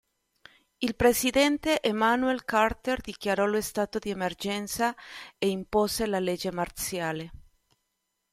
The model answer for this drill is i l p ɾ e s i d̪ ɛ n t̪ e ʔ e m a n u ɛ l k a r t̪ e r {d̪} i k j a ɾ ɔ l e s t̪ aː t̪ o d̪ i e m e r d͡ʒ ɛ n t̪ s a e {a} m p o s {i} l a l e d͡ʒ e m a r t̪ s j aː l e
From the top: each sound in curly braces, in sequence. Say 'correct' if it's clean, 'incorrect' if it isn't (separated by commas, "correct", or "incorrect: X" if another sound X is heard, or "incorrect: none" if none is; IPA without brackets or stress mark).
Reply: correct, incorrect: i, incorrect: e